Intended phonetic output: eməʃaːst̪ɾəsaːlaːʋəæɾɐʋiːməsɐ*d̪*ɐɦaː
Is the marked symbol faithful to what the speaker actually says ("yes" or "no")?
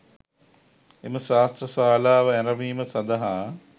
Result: yes